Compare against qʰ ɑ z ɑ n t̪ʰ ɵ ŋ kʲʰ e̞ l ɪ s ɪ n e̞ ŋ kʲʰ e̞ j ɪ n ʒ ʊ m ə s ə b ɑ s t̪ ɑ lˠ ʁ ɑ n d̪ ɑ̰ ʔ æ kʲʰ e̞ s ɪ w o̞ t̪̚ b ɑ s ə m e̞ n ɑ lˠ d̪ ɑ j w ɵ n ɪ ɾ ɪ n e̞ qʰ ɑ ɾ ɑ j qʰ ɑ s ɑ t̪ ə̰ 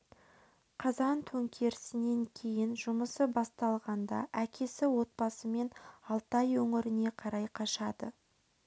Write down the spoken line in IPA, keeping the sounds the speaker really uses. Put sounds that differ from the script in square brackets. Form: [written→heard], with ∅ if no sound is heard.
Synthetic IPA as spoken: qʰ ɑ z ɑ n t̪ʰ ɵ ŋ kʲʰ e̞ [l→ɾ] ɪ s ɪ n e̞ ŋ kʲʰ e̞ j ɪ n ʒ ʊ m ə s ə b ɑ s t̪ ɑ lˠ ʁ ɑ n d̪ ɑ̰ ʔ æ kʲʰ e̞ s ɪ w o̞ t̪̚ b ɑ s ə m e̞ n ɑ lˠ [d̪→t̪] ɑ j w ɵ [n→ŋ] ɪ ɾ ɪ n e̞ qʰ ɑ ɾ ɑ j qʰ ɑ [s→ʃ] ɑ [t̪→d̪] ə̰

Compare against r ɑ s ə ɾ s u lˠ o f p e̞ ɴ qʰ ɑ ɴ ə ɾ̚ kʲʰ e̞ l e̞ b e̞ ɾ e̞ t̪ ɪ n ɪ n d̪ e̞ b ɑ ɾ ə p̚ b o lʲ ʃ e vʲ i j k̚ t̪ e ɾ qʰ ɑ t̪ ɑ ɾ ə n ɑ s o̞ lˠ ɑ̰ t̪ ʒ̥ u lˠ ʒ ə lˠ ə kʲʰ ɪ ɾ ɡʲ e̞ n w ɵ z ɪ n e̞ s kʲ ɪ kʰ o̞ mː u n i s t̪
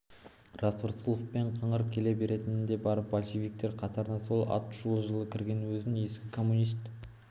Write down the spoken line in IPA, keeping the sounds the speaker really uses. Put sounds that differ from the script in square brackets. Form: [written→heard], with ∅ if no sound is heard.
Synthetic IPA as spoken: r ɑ s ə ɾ s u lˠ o f p e̞ ɴ qʰ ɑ ɴ ə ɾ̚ kʲʰ e̞ l e̞ b e̞ ɾ e̞ t̪ ɪ n ɪ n d̪ e̞ b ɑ ɾ ə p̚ b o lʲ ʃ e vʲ i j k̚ t̪ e ɾ qʰ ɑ t̪ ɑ ɾ ə n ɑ s o̞ lˠ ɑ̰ t̪ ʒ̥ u lˠ ʒ ə lˠ ə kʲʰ ɪ ɾ ɡʲ e̞ n w ɵ z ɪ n e̞ s kʲ ɪ kʰ o̞ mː u n i s t̪

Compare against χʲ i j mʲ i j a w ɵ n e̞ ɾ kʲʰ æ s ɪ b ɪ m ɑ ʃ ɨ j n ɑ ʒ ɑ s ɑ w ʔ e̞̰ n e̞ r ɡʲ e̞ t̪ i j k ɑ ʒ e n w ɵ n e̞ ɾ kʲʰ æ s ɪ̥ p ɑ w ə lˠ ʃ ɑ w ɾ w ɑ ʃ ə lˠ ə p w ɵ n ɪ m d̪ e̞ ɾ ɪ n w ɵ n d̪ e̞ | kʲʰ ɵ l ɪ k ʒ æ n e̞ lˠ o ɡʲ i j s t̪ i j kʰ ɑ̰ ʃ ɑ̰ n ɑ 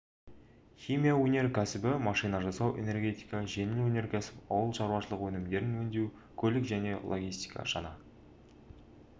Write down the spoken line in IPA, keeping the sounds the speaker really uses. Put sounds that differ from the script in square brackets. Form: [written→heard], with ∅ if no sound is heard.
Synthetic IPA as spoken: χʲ i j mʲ i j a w ɵ n e̞ ɾ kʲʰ æ s ɪ b ɪ m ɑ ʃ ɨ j n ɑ ʒ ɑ s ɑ w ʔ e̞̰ n e̞ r ɡʲ e̞ t̪ i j k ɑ ʒ e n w ɵ n e̞ ɾ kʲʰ æ s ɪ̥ p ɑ w ə lˠ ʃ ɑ [w→∅] ɾ w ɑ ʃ ə lˠ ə [p→q] w ɵ n ɪ m d̪ e̞ ɾ ɪ n w ɵ n d̪ e̞ | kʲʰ ɵ l ɪ k ʒ æ n e̞ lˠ o ɡʲ i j s t̪ i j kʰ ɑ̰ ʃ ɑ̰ n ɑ

